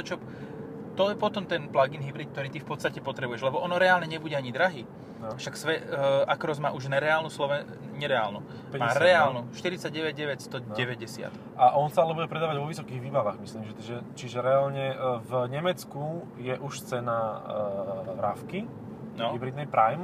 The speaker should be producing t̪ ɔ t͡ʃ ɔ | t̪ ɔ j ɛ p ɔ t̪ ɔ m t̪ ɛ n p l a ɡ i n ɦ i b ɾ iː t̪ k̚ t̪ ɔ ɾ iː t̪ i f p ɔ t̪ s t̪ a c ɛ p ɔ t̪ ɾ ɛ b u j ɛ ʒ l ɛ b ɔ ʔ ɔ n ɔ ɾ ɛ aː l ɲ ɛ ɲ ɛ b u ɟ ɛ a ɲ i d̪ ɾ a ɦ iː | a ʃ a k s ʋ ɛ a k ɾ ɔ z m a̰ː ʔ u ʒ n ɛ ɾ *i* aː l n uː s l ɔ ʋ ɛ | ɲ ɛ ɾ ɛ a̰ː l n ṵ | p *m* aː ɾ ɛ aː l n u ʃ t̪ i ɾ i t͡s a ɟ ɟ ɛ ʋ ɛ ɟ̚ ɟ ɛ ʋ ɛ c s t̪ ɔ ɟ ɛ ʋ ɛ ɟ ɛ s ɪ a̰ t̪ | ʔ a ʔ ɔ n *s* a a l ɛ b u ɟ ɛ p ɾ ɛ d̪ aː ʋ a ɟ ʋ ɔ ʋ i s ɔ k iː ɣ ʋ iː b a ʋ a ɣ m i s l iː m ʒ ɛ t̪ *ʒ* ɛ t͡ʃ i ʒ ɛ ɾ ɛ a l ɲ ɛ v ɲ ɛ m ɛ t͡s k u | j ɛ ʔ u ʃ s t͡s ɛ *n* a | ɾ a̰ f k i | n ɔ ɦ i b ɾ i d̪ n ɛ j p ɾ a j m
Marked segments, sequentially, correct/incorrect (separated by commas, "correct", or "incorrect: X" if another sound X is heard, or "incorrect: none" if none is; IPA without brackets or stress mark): incorrect: ɛ, correct, correct, correct, correct